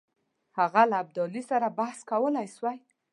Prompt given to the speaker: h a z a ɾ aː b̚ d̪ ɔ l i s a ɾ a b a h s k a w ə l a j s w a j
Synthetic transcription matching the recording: h a ɣ a l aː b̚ d̪ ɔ l i s a ɾ a b a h s k a w ə l a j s w a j